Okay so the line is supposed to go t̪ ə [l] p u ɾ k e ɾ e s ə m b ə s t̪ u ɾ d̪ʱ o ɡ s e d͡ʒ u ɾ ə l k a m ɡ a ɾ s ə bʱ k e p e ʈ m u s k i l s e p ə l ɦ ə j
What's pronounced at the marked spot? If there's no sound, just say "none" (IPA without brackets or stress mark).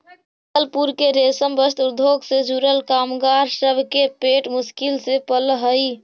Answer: l